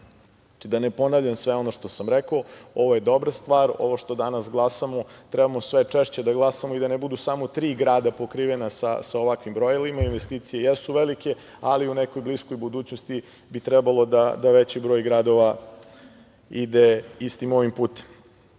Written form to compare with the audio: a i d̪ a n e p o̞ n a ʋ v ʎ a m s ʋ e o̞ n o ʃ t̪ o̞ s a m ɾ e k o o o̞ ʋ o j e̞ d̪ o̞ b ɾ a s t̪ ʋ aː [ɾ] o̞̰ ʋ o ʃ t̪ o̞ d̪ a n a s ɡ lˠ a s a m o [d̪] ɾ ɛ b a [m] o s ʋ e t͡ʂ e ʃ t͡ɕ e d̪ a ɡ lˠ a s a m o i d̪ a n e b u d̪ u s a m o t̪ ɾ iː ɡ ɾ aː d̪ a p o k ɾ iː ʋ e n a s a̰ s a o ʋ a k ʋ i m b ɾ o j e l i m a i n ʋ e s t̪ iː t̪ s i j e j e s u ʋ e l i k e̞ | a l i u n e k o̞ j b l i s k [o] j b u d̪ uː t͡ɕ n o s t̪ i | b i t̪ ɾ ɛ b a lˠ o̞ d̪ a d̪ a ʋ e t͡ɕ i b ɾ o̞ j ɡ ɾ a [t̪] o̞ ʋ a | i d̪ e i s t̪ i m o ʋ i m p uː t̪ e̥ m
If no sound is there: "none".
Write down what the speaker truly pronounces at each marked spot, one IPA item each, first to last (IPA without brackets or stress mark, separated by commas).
ɾ, t̪, m, o, d̪